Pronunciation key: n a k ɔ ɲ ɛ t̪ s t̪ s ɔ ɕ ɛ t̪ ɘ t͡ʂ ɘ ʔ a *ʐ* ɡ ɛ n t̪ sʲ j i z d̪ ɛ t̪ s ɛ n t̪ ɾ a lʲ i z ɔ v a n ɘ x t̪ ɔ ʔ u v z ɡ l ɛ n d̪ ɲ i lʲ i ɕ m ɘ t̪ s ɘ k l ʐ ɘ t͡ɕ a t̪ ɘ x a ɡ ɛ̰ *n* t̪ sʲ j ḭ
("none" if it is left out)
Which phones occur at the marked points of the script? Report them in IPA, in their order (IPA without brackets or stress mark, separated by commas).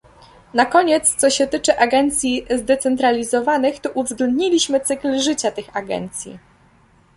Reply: none, n